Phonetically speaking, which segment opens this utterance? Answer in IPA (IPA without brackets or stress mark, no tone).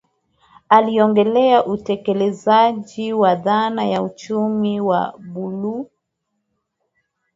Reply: a